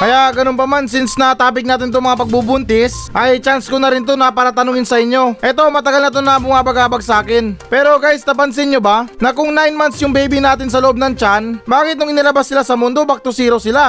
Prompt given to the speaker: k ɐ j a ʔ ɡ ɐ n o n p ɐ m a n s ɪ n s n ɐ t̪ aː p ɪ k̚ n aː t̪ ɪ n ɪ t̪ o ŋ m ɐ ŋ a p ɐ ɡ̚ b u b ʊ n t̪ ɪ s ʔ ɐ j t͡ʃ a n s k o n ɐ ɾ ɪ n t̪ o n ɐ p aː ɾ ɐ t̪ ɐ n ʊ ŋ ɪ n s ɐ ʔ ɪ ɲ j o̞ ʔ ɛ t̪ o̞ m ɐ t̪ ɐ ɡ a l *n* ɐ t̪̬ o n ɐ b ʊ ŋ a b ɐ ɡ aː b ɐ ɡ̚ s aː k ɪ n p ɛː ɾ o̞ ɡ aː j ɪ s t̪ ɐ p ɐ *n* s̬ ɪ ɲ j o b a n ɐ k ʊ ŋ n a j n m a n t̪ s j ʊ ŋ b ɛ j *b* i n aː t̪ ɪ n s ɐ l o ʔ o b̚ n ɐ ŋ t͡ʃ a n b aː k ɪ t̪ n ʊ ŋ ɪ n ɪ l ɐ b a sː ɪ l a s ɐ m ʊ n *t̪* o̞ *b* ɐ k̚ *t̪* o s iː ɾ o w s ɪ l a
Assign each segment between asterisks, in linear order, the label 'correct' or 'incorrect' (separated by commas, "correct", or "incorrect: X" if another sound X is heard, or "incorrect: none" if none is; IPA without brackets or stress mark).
correct, correct, correct, incorrect: d̪, correct, correct